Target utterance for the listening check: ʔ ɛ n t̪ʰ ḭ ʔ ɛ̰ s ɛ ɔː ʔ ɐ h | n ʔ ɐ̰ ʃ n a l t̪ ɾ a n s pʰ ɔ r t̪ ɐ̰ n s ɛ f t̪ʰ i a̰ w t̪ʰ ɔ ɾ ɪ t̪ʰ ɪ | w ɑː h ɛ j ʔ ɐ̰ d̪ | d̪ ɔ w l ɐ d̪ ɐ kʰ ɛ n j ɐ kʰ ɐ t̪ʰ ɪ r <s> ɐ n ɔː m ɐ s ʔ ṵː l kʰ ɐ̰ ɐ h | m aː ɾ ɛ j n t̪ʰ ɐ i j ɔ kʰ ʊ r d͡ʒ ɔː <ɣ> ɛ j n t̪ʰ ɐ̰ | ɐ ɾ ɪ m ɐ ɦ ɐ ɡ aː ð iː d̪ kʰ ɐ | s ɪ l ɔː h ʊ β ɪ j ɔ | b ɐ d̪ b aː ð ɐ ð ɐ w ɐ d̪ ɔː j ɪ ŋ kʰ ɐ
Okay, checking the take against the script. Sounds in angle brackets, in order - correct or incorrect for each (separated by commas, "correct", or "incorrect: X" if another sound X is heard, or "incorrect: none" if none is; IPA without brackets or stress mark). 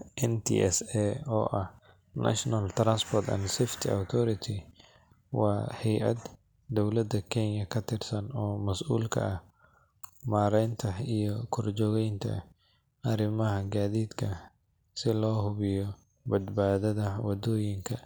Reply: correct, correct